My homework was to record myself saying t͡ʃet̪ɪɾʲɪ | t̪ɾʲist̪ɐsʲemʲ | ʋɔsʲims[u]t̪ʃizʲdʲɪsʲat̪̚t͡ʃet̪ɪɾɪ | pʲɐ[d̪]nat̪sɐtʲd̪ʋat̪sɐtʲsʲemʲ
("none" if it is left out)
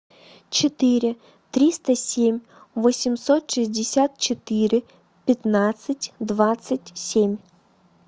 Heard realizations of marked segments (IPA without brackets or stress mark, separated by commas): ɔ, t̪